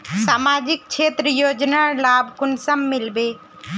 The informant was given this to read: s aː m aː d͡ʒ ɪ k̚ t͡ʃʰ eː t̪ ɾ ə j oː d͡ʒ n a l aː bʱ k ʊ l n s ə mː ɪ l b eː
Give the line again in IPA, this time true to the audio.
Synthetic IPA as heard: s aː m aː d͡ʒ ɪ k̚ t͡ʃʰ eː t̪ ɾ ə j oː d͡ʒ n a l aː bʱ k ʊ n s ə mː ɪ l b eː